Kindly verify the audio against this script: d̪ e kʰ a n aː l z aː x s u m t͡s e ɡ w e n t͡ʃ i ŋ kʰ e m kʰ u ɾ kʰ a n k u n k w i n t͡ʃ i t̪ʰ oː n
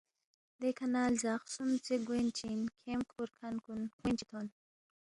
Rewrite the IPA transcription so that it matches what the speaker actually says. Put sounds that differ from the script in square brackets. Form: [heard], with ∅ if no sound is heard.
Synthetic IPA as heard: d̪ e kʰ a n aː l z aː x s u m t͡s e ɡ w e n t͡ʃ i [n] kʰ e m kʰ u ɾ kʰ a n k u n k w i n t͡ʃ i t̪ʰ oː n